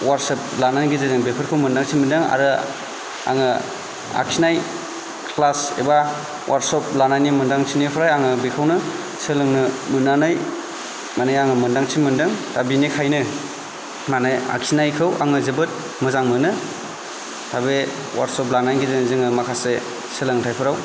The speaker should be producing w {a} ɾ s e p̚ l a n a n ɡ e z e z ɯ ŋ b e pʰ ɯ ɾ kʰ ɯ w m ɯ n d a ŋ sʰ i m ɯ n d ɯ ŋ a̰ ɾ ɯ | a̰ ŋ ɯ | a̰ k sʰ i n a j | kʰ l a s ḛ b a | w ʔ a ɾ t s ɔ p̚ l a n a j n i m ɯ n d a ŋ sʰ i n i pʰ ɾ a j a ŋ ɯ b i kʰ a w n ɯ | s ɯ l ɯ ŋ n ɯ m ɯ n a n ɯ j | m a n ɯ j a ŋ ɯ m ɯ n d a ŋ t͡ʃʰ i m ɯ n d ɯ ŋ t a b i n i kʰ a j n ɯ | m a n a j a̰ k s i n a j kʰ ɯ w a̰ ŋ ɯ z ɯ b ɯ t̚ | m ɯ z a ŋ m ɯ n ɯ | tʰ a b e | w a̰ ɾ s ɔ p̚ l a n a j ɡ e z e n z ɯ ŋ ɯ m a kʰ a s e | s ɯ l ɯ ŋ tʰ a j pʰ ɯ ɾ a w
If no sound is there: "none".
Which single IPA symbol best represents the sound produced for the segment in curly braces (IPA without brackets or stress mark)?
a